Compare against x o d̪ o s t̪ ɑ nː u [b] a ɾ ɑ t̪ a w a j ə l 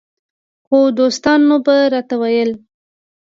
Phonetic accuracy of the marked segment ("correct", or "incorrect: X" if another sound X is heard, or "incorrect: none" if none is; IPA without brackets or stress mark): correct